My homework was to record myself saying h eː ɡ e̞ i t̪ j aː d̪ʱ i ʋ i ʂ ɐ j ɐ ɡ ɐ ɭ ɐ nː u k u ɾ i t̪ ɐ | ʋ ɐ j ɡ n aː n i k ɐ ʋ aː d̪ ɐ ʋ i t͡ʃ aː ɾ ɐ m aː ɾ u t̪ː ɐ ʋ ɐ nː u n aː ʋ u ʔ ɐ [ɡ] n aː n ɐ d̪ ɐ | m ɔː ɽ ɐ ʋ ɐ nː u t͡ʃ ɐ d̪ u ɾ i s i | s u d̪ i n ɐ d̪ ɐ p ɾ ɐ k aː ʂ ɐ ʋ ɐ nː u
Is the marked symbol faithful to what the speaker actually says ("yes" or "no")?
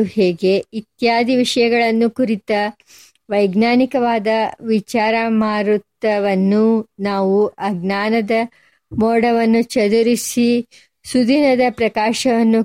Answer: yes